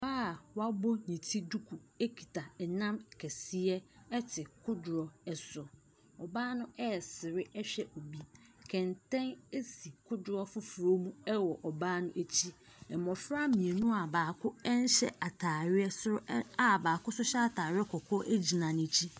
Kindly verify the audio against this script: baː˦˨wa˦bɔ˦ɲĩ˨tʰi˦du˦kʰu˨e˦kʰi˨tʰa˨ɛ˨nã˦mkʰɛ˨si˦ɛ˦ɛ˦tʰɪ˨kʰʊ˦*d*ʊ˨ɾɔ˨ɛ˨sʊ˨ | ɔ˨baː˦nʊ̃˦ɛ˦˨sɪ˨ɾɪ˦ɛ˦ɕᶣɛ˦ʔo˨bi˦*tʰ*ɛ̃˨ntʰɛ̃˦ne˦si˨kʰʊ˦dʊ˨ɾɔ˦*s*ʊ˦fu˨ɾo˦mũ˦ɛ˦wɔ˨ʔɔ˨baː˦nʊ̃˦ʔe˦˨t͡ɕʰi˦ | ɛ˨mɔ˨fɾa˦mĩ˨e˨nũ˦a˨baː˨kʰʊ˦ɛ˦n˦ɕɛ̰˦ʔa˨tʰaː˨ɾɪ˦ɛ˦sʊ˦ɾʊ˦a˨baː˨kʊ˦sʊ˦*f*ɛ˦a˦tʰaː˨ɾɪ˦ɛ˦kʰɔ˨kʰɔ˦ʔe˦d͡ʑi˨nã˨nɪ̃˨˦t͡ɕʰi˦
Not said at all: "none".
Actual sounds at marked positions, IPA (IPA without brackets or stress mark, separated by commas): d, kʰ, f, ɕ